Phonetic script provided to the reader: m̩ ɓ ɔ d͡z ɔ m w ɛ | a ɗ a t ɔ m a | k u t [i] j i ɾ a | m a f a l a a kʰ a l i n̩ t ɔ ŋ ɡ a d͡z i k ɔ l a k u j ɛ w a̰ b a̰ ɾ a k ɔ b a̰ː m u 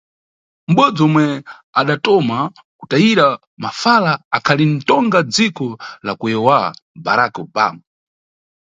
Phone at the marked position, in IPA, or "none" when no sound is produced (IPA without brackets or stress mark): a